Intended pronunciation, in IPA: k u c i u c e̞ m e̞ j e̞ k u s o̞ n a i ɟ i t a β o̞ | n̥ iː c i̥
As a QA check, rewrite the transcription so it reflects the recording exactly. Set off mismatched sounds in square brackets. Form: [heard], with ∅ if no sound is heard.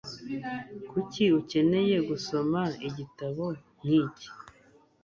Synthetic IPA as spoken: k u c i u c e̞ [n] e̞ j e̞ [ɡ] u s o̞ [m] a i ɟ i t a β o̞ | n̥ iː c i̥

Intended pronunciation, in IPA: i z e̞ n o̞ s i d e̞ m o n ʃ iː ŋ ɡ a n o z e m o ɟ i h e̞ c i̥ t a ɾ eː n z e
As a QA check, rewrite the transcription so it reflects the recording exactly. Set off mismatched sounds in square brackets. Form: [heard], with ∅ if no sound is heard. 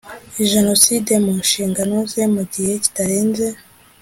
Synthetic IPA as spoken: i [ʒ] e̞ n o̞ s i d e̞ m [u] n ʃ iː ŋ ɡ a n o z e m [u] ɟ i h e̞ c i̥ t a ɾ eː n z e

